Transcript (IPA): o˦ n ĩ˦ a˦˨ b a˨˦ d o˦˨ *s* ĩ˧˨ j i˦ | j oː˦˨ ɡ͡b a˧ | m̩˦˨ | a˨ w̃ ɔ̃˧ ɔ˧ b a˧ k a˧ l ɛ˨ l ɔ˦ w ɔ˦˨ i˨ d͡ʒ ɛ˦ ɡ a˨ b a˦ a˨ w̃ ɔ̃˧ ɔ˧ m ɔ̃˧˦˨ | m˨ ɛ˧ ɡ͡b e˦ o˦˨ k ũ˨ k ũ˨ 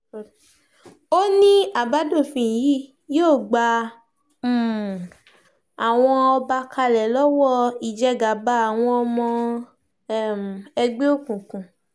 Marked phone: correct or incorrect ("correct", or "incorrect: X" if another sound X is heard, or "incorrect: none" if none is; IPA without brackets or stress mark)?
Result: incorrect: f